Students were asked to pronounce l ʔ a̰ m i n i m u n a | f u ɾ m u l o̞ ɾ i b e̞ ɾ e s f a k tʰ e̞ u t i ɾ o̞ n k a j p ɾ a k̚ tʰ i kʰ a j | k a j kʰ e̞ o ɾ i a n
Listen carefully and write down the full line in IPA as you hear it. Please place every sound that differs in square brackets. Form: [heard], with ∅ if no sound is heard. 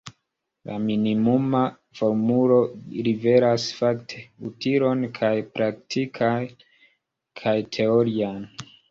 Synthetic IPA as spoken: l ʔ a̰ m i n i m u [m] a | f [o] ɾ m u l o̞ ɾ i [v] e̞ ɾ [a] s f a k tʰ e̞ u t i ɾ o̞ n [kʰ] a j p ɾ a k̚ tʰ i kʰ a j | [kʰ] a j [tʰ] e̞ o ɾ i a n